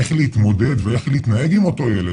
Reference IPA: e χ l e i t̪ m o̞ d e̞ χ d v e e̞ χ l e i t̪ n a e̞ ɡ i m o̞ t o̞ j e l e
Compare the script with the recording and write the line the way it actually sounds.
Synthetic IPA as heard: e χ l e i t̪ m o̞ d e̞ d v e e̞ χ l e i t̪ n a e̞ ɡ i m o̞ t o̞ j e l e

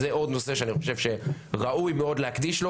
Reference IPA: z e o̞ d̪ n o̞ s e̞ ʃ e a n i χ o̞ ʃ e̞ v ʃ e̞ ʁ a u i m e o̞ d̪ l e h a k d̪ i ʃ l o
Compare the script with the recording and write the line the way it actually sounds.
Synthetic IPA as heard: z e o̞ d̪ n o̞ s e̞ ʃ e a n i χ o̞ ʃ e̞ v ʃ e̞ ʁ a u j m e o̞ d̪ l e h a k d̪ i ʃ l o

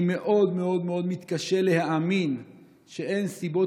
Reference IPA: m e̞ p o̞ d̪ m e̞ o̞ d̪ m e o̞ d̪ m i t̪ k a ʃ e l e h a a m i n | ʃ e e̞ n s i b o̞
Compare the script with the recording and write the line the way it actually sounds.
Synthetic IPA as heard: m e̞ ʔ o̞ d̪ m e̞ o̞ d̪ m e o̞ d̪ m i t̪ k a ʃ e l e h a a m i n | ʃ e e̞ n s i b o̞

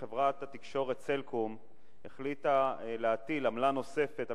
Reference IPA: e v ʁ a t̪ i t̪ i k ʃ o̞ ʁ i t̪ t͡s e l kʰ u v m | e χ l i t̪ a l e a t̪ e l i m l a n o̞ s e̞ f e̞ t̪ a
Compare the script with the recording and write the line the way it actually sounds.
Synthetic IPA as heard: e v ʁ a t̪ a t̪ i k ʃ o̞ ʁ e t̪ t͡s e l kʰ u m | e χ l i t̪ a l e a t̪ i l a m l a n o̞ s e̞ f e̞ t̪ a

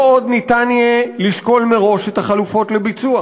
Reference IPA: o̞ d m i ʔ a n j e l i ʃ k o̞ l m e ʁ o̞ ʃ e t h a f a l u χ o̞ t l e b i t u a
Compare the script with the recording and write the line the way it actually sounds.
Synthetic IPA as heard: o̞ d n i t a n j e l i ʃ k o̞ l m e ʁ o̞ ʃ e t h a χ a l u f o̞ t l e b i t͡s u a

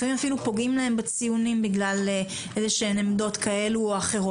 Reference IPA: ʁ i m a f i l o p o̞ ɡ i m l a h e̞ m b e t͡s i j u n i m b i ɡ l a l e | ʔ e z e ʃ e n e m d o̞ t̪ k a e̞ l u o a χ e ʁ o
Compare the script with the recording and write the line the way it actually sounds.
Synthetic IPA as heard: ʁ i m a f i l u p o̞ ɡ i m l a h e̞ m b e t͡s i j u n i m b i ɡ l a l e | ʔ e z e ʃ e n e m d o̞ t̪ k a e̞ l u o a χ e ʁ o

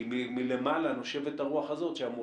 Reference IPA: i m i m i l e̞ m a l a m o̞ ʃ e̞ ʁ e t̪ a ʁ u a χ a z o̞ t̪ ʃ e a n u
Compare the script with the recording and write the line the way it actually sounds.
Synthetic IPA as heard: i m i m i l e̞ m a l a n o̞ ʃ e̞ v e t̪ a ʁ u a χ a z o̞ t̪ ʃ e a m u

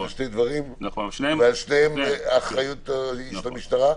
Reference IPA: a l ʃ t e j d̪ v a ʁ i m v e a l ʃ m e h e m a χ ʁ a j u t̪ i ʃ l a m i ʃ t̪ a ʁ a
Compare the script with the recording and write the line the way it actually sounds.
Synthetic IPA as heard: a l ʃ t e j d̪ v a ʁ i m v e a l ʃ n e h e m a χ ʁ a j u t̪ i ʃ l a m i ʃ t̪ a ʁ a

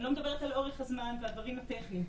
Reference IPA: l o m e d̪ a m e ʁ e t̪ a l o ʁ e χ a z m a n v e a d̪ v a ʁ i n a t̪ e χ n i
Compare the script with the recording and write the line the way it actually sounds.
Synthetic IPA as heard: l o m e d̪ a b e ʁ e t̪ a l o ʁ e χ a z m a n v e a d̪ v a ʁ i m a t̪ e χ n i

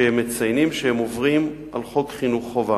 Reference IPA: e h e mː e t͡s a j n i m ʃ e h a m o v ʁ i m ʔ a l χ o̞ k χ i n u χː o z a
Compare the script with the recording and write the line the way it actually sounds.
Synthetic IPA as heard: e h e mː e t͡s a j n i m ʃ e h e m o v ʁ i m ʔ a l χ o̞ k χ i n u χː o v a

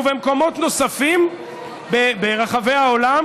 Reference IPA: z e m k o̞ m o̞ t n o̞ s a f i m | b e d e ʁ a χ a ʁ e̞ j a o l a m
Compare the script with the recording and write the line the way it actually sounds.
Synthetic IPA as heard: v e m k o̞ m o̞ t n o̞ s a f i m | b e b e ʁ a χ a v e̞ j a o l a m

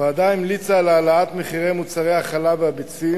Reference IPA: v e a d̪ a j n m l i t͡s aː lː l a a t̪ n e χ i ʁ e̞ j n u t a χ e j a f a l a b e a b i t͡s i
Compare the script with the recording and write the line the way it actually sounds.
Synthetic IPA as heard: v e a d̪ a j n m l i t͡s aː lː l a a t̪ m e χ i ʁ e̞ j m u t͡s a ʁ e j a χ a l a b e a b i t͡s i

